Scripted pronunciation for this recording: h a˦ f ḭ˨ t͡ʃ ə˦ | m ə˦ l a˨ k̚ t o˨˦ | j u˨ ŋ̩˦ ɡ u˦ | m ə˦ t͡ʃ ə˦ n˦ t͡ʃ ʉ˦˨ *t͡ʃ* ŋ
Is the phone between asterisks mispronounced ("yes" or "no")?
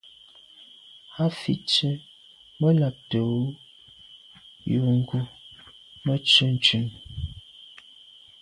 yes